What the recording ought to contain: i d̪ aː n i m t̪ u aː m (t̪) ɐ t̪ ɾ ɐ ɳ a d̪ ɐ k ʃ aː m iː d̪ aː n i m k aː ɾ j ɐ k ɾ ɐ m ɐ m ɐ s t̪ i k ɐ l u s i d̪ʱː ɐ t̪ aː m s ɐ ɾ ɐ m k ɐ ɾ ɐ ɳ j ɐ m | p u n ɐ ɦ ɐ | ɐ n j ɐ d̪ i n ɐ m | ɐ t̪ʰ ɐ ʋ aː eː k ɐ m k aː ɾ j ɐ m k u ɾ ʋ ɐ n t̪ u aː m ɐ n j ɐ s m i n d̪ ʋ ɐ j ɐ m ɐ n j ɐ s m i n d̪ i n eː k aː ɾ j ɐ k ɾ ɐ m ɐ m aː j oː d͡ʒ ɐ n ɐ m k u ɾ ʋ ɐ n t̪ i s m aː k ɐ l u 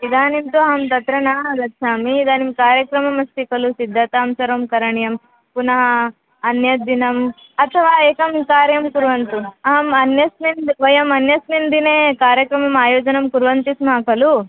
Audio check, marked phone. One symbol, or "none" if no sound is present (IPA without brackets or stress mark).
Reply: t̪